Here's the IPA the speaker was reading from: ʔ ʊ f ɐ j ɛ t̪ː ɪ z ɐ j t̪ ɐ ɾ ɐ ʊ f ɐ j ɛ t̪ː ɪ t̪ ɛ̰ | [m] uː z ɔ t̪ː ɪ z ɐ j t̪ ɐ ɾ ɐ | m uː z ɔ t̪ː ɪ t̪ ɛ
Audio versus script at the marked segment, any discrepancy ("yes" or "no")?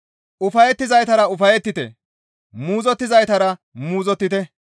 no